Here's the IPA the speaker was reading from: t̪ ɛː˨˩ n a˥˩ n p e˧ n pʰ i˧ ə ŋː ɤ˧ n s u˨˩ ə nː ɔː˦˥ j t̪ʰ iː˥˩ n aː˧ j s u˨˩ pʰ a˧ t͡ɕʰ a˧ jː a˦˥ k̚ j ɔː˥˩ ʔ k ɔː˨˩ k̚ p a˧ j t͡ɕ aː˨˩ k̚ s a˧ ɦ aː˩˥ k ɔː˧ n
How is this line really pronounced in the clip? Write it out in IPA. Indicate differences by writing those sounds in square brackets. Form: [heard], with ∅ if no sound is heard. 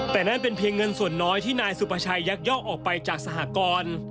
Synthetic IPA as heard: t̪ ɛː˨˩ n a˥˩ n p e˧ n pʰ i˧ ə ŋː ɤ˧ n s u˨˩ ə nː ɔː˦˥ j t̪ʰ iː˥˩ n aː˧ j s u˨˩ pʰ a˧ t͡ɕʰ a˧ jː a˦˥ k̚ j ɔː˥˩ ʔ [ʔ] ɔː˨˩ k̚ p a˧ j t͡ɕ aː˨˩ k̚ s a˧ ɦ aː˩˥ k ɔː˧ n